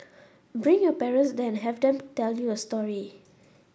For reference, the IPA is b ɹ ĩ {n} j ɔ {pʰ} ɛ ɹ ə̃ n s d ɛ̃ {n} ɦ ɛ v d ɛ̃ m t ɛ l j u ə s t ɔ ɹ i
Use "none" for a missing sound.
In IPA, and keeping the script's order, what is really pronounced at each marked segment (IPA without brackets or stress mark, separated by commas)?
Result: ŋ, p, n